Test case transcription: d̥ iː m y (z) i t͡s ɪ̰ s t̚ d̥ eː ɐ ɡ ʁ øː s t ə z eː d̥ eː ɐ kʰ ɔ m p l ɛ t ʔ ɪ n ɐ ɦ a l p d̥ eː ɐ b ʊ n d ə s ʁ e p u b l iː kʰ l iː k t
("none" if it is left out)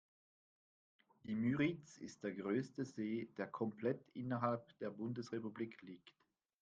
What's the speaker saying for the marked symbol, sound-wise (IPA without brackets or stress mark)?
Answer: ʁ